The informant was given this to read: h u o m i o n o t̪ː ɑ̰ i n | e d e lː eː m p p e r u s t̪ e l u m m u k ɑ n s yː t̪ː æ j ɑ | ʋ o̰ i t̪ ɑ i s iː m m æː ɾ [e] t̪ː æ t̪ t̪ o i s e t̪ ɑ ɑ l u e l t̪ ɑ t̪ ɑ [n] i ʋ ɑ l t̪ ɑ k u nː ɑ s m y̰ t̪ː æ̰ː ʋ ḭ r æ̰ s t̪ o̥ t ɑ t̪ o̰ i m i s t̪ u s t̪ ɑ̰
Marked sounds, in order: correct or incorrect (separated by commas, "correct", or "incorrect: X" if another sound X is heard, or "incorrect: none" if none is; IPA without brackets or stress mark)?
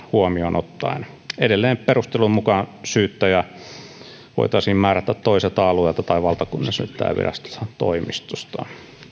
incorrect: æ, incorrect: none